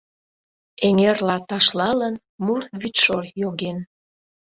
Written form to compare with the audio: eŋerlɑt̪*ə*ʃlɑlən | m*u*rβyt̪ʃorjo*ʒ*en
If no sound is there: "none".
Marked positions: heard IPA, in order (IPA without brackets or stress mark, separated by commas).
ɑ, u, ɣ